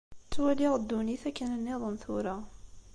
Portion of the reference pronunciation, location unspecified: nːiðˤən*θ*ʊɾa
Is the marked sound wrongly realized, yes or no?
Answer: no